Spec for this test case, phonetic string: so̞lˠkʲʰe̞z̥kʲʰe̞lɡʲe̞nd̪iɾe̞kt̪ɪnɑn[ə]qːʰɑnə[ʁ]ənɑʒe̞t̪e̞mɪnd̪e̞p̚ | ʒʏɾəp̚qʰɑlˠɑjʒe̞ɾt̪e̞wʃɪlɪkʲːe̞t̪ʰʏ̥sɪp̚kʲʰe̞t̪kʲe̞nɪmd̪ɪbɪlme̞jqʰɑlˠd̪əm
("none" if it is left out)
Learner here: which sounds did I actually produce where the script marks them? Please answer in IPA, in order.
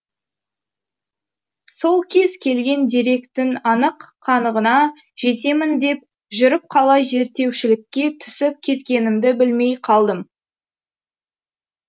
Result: ə, ʁ

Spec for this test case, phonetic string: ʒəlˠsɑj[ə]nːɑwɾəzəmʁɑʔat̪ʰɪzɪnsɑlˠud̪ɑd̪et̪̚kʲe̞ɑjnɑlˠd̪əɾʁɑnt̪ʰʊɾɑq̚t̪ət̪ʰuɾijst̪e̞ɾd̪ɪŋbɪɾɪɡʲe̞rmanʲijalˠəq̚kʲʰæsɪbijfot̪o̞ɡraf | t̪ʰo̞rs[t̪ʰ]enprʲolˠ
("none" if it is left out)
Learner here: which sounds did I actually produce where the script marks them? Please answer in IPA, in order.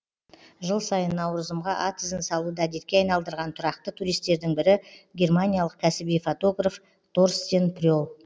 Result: ə, t̪

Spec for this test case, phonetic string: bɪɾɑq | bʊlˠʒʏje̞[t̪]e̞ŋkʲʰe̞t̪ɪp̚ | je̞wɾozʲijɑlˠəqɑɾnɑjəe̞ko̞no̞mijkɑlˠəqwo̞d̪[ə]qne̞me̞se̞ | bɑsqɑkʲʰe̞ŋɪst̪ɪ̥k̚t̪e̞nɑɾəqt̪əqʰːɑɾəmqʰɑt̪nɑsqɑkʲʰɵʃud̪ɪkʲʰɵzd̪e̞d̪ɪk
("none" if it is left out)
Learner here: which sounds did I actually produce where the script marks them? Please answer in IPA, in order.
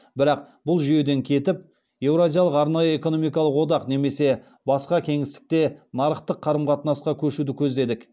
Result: d̪, ɑ

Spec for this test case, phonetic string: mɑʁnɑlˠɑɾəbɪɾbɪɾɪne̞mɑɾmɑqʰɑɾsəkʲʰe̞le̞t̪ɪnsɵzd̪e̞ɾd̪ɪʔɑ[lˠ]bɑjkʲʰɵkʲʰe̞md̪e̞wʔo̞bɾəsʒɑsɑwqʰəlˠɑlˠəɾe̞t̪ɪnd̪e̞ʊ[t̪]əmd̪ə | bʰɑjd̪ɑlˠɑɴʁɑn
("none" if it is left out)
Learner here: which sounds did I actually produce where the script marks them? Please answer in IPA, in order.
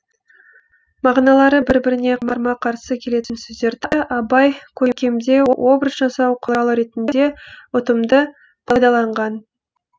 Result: none, t̪

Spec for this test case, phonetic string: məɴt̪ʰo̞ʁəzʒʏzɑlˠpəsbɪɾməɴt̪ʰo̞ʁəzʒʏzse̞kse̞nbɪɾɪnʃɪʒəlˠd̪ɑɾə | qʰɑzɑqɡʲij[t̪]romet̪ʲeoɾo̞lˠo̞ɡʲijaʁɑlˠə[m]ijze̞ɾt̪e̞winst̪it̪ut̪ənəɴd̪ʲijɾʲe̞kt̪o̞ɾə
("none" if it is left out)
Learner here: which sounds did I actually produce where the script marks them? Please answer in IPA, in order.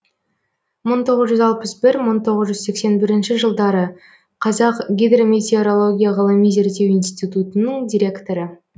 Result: d̪, m

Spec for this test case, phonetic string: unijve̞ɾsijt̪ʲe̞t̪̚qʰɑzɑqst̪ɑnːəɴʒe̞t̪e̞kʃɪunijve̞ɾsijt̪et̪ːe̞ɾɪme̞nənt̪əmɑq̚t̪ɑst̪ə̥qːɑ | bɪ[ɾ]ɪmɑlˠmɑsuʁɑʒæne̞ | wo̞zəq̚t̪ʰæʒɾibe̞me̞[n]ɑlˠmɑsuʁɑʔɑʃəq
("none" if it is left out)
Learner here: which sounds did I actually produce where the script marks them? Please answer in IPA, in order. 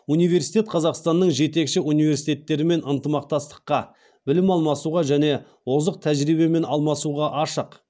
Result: l, n

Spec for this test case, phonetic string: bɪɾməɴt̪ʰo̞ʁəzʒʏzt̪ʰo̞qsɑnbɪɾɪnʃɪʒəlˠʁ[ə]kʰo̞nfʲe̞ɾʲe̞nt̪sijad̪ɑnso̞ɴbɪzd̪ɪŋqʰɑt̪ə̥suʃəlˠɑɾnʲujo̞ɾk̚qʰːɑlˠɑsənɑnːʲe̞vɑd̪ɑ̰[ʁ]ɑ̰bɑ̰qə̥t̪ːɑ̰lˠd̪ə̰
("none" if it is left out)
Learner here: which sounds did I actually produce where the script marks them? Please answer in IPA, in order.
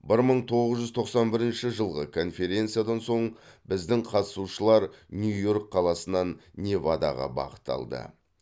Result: ə, ʁ

